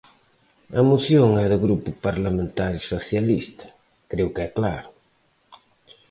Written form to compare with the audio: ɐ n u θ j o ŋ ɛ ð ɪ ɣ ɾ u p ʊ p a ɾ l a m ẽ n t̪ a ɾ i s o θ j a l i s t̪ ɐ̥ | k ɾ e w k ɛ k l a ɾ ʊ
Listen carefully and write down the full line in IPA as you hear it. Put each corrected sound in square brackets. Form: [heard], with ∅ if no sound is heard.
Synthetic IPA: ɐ [m] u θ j o ŋ ɛ ð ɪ ɣ ɾ u p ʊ p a ɾ l a m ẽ n t̪ a ɾ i s o θ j a l i s t̪ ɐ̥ | k ɾ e w k ɛ k l a ɾ ʊ